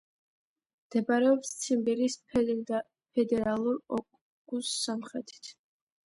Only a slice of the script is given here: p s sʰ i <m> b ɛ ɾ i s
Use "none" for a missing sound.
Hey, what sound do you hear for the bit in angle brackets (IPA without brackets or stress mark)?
m